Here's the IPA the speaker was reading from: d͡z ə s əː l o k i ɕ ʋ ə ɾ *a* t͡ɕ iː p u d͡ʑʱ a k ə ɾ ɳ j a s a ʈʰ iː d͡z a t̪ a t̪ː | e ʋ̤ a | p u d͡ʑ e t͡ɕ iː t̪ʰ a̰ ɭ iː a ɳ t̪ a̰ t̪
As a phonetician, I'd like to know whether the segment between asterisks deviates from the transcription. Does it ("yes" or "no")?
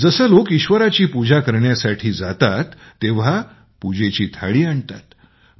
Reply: no